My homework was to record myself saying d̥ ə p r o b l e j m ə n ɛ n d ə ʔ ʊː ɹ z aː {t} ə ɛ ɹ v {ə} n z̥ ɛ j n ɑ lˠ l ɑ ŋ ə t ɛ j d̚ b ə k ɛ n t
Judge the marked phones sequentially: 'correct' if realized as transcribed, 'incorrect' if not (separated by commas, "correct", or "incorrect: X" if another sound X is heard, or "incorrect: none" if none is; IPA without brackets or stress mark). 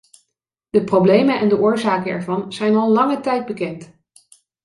incorrect: k, incorrect: ɑ